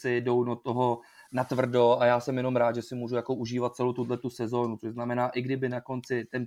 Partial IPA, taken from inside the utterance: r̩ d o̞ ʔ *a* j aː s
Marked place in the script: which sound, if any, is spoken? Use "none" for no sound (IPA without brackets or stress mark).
a